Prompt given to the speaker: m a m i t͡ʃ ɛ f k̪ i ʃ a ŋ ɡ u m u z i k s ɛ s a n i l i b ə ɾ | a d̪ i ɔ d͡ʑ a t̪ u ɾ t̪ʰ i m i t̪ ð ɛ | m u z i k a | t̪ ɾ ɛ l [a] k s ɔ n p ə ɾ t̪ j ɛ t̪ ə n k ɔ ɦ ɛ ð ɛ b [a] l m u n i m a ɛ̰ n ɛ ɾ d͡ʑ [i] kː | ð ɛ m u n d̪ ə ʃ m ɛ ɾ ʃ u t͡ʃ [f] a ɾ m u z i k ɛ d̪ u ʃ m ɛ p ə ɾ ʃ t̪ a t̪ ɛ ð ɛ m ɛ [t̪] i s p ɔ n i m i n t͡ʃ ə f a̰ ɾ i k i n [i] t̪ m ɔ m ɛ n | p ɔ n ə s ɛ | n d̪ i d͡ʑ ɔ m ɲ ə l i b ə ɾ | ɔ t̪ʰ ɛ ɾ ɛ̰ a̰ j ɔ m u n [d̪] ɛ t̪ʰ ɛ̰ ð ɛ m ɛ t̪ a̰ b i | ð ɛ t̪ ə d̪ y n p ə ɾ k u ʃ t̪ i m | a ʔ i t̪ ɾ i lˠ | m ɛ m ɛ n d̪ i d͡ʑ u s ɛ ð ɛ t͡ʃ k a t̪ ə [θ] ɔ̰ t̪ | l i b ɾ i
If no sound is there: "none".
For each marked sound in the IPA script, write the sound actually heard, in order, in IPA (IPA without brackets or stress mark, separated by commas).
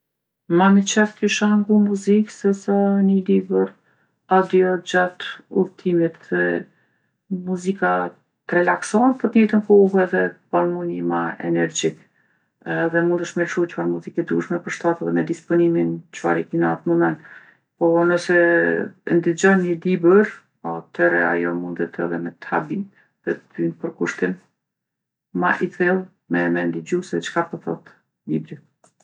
a, a, i, f, d̪, a, d̪, θ